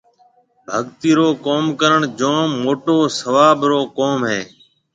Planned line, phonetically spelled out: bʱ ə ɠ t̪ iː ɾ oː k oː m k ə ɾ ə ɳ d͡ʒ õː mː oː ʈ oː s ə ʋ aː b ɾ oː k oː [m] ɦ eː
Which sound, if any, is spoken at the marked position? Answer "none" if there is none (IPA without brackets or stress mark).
m